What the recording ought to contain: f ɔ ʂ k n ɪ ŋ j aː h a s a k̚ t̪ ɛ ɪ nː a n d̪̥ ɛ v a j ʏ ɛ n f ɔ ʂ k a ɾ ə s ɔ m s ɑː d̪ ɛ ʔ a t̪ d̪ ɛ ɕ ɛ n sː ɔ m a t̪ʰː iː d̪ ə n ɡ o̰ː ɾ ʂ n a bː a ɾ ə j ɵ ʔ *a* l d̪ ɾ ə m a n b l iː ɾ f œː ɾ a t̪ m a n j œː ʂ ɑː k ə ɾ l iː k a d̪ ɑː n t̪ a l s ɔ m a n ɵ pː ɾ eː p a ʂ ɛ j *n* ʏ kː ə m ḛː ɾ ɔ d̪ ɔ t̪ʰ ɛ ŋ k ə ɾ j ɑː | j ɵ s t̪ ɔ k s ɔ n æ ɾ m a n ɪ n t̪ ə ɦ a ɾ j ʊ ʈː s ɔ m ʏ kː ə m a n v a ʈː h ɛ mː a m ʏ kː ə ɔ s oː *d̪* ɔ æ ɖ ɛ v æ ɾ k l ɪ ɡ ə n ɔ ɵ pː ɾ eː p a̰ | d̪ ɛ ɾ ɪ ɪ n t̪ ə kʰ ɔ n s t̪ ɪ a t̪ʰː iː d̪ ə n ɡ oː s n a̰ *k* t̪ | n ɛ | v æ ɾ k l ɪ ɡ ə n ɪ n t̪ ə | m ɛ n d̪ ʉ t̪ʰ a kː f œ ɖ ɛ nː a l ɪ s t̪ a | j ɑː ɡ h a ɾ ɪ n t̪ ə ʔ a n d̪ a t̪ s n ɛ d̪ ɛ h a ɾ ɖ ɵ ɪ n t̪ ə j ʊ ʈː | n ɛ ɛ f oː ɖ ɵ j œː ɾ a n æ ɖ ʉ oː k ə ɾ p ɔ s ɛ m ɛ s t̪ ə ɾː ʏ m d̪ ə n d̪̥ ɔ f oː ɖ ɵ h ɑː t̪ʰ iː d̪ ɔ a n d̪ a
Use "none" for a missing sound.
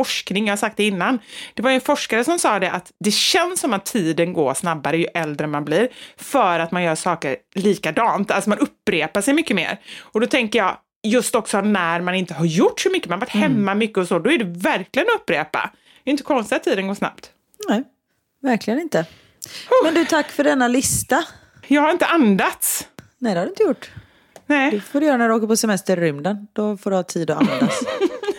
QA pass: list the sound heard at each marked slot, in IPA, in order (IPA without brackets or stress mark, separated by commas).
ɛ, m, d̪, p